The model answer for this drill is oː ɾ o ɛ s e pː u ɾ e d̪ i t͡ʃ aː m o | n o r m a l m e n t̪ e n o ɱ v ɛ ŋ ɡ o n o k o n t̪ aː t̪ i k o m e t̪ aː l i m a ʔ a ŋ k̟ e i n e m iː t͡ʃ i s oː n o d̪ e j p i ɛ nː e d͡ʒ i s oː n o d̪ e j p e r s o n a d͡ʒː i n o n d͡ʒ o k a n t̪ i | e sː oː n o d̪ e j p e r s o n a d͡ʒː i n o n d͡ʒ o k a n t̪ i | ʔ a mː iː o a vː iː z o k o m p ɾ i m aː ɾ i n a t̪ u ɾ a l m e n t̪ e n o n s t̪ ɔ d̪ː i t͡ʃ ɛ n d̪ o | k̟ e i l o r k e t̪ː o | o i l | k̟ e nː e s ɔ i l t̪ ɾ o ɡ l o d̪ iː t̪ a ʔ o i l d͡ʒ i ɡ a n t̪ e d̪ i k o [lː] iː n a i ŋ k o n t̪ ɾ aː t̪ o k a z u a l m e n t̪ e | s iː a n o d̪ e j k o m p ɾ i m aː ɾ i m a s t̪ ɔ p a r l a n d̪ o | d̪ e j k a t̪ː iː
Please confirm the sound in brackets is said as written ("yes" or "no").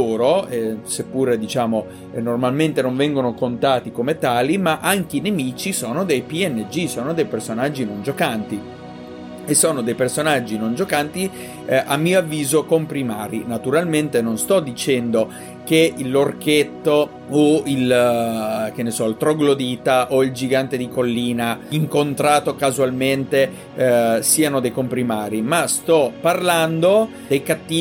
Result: yes